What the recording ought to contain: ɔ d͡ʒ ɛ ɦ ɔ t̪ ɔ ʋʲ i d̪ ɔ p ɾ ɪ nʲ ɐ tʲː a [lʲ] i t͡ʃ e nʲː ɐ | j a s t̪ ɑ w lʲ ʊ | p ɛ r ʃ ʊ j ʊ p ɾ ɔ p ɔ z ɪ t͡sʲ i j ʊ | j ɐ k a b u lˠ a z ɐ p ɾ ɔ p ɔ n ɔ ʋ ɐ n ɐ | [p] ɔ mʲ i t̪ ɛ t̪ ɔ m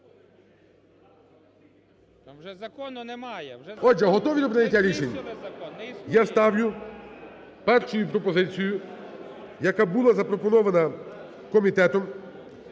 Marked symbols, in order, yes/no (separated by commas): no, no